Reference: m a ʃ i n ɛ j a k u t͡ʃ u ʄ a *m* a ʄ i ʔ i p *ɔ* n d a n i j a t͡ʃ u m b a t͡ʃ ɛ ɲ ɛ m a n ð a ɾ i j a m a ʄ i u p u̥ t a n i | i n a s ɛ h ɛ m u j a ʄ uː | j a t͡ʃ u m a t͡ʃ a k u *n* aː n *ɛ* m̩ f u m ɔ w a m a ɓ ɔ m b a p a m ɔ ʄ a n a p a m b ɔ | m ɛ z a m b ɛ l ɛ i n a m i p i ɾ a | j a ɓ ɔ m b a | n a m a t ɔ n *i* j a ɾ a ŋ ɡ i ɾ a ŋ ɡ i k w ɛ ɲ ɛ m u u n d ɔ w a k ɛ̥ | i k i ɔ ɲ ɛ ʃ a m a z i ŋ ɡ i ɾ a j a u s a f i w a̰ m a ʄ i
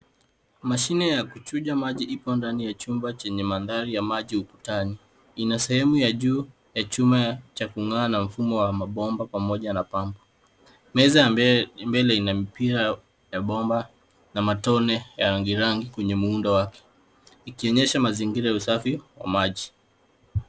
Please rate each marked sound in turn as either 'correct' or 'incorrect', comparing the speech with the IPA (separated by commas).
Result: correct, correct, incorrect, incorrect, incorrect